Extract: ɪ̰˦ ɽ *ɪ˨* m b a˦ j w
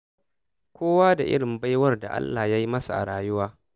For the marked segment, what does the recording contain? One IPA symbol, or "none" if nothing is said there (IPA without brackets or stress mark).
ɪ˨